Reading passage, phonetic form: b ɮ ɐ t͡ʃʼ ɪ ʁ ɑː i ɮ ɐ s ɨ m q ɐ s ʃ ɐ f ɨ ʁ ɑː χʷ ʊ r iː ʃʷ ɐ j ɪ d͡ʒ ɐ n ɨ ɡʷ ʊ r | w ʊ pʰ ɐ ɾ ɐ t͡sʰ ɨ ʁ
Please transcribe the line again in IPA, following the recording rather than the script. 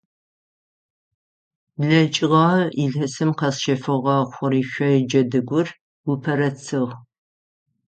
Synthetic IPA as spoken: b ɮ ɐ t͡ʃʼ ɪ ʁ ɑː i ɮ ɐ s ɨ m q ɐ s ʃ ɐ f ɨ ʁ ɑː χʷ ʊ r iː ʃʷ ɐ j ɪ d͡ʒ ɐ d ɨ ɡʷ ʊ r | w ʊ pʰ ɐ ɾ ɐ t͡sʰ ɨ ʁ

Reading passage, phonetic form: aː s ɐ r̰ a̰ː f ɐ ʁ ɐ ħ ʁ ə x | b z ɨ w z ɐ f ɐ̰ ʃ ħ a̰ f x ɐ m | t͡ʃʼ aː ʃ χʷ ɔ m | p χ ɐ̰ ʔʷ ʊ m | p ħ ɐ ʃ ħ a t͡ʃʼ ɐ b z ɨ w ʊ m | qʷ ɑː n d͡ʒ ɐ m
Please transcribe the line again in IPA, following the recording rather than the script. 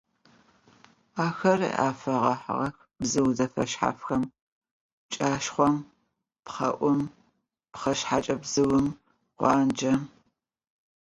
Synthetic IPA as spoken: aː x ɐ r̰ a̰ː f ɐ ʁ ɐ ħ ʁ ɐ x | b z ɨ w z ɐ f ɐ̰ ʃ ħ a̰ f x ɐ m | t͡ʃʼ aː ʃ χʷ ɔ m | p χ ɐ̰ ʔʷ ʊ m | p χ ɐ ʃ ħ a t͡ʃʼ ɐ b z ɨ w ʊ m | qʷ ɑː n d͡ʒ ɐ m

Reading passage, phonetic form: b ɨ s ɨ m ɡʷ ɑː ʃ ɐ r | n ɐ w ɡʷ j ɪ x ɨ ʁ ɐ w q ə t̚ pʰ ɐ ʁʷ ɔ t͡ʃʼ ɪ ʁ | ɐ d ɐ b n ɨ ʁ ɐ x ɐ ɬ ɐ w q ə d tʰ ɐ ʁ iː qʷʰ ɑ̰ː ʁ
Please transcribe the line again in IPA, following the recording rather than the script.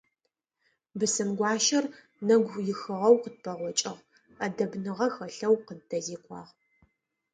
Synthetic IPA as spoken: b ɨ s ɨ m ɡʷ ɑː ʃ ɐ r | n ɐ ɡʷ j ɪ x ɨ ʁ ɐ w q ə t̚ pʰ ɐ ʁʷ ɔ t͡ʃʼ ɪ ʁ | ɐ d ɐ b n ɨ ʁ ɐ x ɐ ɬ ɐ w q ə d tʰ ɐ z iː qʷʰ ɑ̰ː ʁ

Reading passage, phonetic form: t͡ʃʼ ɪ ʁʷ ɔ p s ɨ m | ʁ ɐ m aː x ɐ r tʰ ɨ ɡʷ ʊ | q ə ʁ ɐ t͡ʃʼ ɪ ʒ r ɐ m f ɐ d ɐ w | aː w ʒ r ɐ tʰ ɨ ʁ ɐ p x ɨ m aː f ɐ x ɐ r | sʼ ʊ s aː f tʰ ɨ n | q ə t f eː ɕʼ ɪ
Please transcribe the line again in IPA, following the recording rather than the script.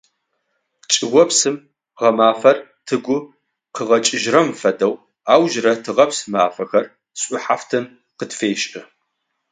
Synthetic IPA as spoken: t͡ʃʼ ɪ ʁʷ ɔ p s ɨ m | ʁ ɐ m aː f ɐ r tʰ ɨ ɡʷ ʊ | q ə ʁ ɐ t͡ʃʼ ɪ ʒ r ɐ m f ɐ d ɐ w | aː w ʒ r ɐ tʰ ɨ ʁ ɐ p s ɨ m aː f ɐ x ɐ r | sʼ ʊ ħ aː f tʰ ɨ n | q ə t f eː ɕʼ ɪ

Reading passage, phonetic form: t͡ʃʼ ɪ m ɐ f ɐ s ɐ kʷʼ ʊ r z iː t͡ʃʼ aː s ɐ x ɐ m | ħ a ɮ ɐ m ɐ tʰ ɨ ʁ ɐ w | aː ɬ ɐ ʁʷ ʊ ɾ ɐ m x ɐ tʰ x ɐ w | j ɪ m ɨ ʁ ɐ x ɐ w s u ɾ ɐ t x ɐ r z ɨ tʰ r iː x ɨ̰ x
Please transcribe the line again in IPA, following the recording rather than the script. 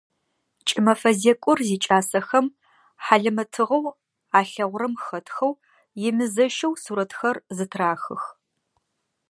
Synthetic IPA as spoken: t͡ʃʼ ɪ m ɐ f ɐ z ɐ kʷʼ ʊ r z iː t͡ʃʼ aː s ɐ x ɐ m | ħ a ɮ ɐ m ɐ tʰ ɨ ʁ ɐ w | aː ɬ ɐ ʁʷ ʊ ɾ ɐ m x ɐ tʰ x ɐ w | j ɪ m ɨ z ɐ ʃ ɐ w s u ɾ ɐ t x ɐ r z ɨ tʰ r aː x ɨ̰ x

